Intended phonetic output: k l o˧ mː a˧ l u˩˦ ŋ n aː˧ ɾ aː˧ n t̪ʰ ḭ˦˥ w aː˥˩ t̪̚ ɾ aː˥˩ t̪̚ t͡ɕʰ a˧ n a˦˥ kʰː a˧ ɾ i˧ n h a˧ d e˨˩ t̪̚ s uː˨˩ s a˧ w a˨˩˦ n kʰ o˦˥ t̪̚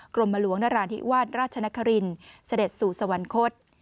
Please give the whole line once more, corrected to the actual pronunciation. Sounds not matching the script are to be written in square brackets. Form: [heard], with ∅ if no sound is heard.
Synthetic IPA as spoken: k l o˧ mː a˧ l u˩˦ ŋ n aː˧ ɾ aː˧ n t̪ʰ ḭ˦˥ w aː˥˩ t̪̚ ɾ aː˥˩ t̪̚ t͡ɕʰ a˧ n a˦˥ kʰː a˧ ɾ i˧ n [s] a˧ d e˨˩ t̪̚ s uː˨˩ s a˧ w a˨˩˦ n kʰ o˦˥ t̪̚